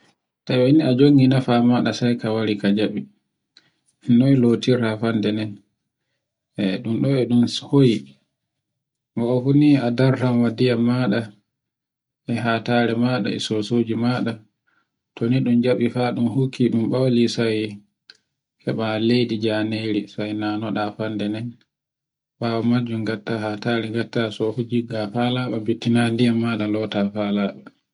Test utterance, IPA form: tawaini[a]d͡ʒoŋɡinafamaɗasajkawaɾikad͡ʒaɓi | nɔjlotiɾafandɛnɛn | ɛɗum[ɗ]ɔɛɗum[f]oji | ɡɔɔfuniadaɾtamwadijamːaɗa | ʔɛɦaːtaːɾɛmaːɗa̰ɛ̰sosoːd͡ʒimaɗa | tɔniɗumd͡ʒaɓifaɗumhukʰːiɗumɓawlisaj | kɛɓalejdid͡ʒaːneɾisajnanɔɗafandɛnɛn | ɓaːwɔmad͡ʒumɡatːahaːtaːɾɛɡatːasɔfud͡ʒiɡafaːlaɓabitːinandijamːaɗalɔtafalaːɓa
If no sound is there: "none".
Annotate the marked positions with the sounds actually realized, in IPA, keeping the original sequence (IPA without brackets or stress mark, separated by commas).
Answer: a, ɗ, h